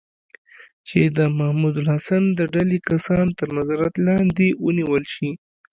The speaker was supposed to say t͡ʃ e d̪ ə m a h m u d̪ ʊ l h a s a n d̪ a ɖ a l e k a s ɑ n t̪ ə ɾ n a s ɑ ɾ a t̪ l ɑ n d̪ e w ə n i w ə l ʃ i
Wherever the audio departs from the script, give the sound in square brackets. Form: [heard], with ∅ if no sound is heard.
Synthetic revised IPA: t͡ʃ e d̪ ə m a h m u d̪ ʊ l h a s a n d̪ [ə] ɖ a l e k a s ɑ n t̪ ə ɾ n a [z] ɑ ɾ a t̪ l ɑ n d̪ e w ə n i w ə l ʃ i